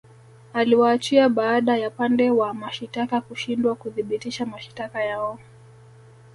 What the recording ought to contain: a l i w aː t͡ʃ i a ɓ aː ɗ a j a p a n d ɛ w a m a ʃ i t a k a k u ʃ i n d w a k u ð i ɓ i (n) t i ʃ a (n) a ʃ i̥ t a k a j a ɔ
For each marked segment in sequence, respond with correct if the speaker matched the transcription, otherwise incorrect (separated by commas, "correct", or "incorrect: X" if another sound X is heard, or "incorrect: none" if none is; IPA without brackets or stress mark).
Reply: incorrect: none, incorrect: m